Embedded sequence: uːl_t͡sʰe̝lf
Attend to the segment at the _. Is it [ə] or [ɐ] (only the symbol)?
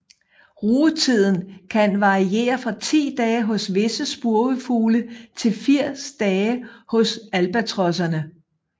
ə